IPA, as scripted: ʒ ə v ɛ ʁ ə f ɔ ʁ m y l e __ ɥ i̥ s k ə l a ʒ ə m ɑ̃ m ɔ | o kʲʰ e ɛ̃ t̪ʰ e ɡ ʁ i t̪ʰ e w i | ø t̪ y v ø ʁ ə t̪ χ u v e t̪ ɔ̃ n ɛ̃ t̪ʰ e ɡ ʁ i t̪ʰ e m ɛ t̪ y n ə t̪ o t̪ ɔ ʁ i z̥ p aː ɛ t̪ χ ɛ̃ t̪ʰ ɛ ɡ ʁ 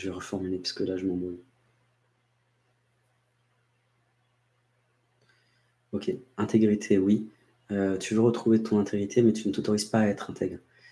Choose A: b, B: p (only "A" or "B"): B